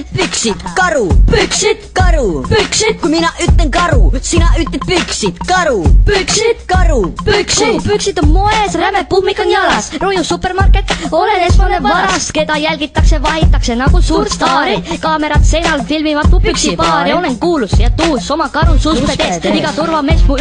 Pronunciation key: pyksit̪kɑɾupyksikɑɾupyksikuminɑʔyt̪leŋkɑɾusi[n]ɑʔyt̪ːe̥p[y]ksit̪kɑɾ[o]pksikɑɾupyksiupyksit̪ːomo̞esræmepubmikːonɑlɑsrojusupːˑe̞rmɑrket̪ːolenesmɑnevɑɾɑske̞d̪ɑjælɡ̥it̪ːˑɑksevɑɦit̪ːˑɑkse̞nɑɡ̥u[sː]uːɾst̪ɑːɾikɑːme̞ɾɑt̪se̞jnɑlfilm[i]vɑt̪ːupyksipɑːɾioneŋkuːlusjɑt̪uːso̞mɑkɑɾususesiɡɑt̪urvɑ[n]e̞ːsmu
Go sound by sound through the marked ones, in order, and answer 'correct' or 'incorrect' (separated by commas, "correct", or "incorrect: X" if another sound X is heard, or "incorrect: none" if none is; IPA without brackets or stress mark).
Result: correct, correct, incorrect: u, incorrect: s, correct, incorrect: m